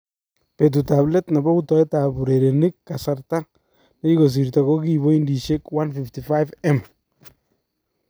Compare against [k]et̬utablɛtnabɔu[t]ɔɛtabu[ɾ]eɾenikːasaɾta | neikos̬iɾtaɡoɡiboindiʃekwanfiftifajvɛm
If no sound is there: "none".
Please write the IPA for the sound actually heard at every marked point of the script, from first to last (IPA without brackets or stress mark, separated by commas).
p, t, ɾ